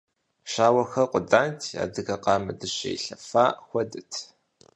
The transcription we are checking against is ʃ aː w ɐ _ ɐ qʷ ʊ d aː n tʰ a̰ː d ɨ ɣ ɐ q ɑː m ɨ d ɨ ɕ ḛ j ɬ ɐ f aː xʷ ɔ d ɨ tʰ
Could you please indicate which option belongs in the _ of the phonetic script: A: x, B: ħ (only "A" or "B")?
A